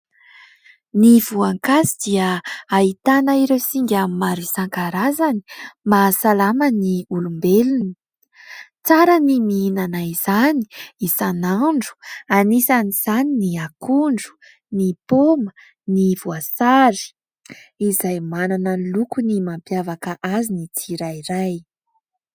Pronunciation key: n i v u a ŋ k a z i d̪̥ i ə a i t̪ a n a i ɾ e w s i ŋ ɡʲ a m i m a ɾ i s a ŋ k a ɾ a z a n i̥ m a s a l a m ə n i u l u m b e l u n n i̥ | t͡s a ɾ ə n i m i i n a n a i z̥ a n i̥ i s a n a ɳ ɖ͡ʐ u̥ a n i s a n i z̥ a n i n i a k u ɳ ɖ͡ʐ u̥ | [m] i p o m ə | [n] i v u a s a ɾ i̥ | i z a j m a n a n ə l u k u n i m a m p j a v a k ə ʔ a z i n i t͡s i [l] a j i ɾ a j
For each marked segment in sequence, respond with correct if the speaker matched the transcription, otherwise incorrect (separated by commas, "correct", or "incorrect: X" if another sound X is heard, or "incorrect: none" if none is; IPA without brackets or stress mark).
incorrect: n, correct, incorrect: ɾ